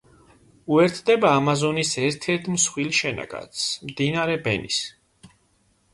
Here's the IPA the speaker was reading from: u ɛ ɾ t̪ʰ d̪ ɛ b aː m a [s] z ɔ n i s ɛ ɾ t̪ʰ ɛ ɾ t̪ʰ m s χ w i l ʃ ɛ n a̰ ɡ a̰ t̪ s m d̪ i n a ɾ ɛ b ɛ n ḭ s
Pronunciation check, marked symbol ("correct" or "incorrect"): incorrect